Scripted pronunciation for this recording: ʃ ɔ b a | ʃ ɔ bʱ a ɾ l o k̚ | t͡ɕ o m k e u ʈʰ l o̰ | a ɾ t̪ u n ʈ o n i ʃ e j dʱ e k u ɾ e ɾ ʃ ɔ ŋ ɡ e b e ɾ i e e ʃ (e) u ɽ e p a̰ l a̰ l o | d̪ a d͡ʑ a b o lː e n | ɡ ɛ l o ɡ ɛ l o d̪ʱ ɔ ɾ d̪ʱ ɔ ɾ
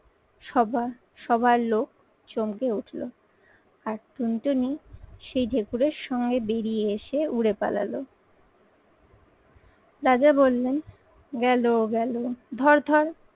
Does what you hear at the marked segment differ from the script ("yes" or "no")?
no